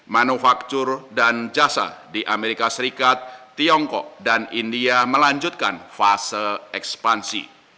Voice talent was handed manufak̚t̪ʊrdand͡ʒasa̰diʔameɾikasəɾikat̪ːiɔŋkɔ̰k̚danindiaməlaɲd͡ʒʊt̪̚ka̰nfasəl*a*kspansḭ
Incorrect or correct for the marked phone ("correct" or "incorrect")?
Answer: incorrect